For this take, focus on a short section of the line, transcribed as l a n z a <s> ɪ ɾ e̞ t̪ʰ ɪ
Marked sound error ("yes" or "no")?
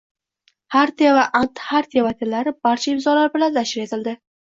yes